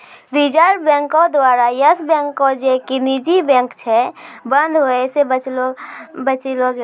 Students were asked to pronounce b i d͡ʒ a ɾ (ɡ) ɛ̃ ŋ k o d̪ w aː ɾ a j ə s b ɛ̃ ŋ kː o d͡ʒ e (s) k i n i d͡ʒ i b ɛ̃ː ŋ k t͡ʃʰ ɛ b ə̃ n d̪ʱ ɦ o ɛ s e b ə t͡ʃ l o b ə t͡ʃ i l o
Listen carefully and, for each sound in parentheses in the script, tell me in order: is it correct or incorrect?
incorrect: b, incorrect: none

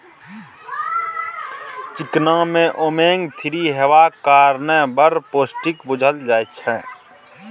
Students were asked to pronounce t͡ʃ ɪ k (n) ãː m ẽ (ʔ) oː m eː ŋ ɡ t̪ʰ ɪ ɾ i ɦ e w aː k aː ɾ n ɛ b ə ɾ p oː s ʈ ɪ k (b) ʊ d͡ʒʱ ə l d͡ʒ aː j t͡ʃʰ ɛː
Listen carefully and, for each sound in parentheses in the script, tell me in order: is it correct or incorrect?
correct, correct, correct

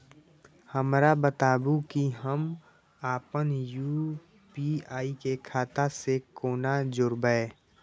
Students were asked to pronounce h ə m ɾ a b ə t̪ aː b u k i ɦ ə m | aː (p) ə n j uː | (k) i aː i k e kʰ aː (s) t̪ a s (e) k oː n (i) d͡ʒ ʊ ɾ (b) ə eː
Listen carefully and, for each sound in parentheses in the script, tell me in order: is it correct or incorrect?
correct, incorrect: p, incorrect: none, correct, incorrect: a, correct

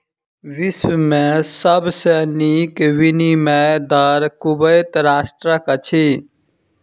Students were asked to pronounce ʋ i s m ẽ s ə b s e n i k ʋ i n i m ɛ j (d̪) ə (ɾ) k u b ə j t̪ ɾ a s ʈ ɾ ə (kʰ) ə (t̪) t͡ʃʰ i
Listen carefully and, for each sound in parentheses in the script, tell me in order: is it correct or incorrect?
correct, correct, incorrect: k, incorrect: none

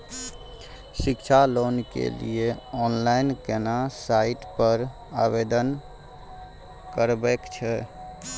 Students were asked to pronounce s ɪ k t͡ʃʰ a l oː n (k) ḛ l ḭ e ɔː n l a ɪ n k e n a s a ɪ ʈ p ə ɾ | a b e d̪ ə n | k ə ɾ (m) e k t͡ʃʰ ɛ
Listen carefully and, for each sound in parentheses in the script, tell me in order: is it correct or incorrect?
correct, incorrect: b

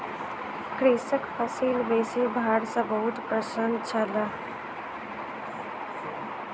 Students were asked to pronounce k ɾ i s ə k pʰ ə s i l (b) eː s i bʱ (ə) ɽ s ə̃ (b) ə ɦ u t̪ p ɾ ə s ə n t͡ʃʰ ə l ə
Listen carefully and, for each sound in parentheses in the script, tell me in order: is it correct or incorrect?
correct, incorrect: a, correct

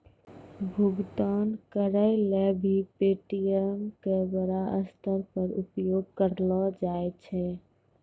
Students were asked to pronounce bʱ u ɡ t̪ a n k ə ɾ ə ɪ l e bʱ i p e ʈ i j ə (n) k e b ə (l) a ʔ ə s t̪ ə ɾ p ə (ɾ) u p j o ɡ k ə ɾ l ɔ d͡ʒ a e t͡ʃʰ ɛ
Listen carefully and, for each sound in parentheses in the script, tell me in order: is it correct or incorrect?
incorrect: m, incorrect: ɾ, correct

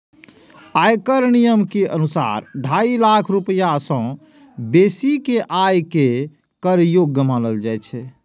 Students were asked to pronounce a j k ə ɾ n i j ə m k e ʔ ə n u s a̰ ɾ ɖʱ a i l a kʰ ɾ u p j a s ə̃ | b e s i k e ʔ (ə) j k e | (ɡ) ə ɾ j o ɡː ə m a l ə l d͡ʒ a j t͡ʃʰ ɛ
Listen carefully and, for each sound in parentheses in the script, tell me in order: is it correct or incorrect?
incorrect: a, incorrect: k

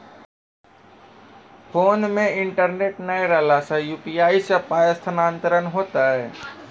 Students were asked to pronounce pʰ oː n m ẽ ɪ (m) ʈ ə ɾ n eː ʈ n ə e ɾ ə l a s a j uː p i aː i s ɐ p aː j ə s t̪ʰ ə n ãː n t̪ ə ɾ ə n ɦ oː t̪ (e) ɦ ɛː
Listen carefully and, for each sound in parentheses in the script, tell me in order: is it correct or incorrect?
incorrect: ɳ, incorrect: a

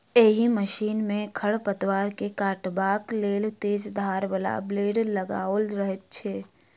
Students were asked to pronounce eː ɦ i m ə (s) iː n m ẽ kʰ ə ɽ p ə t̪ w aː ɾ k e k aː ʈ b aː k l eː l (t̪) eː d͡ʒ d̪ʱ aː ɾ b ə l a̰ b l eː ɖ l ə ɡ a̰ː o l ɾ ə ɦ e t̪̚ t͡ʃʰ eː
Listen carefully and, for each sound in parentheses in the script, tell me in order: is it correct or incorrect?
incorrect: ʃ, correct

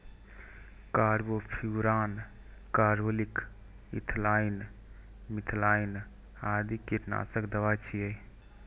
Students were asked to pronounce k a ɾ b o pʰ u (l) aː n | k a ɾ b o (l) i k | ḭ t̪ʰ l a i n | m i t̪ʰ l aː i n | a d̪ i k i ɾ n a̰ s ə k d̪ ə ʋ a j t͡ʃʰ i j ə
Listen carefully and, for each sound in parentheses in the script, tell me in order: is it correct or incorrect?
incorrect: ɾ, correct

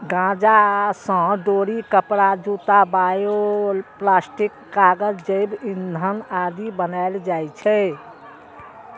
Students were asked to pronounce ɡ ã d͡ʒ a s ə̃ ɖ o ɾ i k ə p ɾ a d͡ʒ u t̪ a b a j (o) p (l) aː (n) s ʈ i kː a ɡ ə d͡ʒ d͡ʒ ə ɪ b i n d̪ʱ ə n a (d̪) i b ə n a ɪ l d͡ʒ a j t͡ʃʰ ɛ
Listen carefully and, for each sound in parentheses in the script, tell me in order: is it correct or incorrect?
correct, correct, incorrect: none, correct

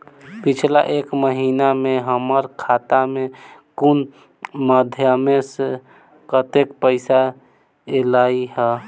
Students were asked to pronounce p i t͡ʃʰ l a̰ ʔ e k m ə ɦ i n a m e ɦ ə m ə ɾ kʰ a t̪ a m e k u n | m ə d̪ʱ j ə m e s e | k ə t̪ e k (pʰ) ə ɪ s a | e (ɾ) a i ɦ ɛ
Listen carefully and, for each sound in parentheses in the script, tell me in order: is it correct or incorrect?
incorrect: p, incorrect: l

